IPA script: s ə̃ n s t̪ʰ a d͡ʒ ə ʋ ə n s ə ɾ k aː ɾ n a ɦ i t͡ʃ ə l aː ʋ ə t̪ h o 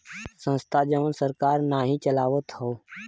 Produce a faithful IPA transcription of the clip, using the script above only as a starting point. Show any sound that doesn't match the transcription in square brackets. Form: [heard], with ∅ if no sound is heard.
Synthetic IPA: s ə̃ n s t̪ʰ a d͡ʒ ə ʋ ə n s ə ɾ k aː ɾ n a ɦ i t͡ʃ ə l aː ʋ ə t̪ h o